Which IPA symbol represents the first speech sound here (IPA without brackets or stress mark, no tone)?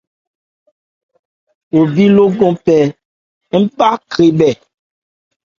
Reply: w